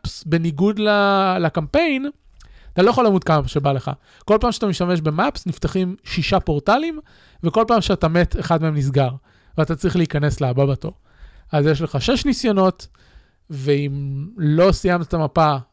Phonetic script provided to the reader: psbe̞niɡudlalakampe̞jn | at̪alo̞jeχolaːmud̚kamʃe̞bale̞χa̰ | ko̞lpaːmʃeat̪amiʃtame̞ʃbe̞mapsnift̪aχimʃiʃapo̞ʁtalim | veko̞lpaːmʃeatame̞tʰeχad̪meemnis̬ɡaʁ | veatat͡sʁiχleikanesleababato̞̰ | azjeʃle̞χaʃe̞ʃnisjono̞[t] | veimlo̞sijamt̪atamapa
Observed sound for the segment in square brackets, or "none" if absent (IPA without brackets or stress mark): t